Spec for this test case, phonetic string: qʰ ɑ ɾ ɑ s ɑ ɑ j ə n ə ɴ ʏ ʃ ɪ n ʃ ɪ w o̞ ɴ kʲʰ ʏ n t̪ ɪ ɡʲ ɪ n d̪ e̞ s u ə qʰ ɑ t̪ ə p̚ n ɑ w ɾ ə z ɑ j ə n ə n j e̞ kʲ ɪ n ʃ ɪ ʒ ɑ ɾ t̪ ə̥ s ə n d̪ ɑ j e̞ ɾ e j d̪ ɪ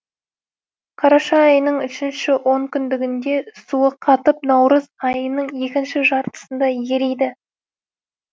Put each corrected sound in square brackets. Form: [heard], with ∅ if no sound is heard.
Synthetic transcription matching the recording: qʰ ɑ ɾ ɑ [ʃ] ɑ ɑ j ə n ə ɴ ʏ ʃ ɪ n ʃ ɪ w o̞ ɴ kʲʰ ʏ n [d̪] ɪ ɡʲ ɪ n d̪ e̞ s u ə qʰ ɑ t̪ ə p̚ n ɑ w ɾ ə z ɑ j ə n ə [ɴ] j e̞ kʲ ɪ n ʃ ɪ ʒ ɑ ɾ t̪ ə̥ s ə n d̪ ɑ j e̞ ɾ e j d̪ ɪ